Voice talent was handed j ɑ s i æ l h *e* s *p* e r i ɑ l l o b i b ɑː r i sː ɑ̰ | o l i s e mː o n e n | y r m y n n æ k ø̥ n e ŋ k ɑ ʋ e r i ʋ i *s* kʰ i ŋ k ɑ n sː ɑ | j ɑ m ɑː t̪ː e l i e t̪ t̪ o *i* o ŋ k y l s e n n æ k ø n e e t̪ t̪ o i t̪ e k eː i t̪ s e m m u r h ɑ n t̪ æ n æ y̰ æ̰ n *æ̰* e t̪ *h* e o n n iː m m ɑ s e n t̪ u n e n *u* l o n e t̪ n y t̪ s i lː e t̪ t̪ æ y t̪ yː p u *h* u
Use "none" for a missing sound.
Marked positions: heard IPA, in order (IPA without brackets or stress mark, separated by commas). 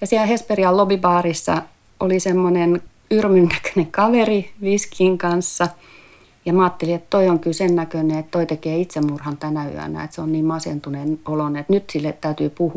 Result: e, p, s, i, æ̰, s, o, h